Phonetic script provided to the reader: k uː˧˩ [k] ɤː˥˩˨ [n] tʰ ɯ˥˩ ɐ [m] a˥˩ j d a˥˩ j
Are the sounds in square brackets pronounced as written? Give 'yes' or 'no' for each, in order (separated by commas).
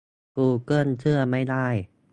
yes, yes, yes